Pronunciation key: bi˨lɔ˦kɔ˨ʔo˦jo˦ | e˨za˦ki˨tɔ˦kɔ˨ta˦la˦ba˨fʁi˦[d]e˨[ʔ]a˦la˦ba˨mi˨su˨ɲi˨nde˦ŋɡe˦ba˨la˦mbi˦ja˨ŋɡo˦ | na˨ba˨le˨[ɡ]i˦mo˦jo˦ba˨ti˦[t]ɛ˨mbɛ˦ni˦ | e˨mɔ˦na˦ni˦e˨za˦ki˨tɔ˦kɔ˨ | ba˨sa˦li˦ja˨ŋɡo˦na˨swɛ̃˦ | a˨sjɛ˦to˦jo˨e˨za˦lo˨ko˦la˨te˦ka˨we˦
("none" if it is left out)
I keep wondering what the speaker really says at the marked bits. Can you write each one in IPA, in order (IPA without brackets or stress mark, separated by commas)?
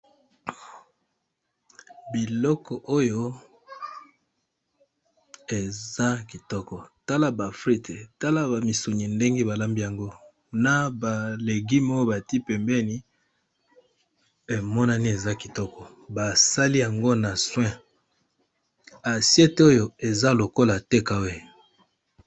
t, t, ɡ, p